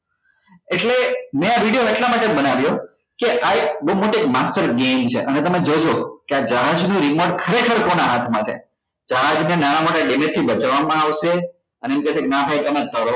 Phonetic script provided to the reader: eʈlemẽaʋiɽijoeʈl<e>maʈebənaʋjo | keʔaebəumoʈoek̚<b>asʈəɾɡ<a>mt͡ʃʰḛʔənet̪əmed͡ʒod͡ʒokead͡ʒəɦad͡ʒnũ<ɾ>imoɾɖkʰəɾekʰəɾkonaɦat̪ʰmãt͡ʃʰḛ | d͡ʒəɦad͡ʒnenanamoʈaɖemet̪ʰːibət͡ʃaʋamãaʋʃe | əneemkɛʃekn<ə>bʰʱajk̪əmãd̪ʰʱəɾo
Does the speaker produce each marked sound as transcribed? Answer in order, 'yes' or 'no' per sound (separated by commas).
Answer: no, no, no, yes, no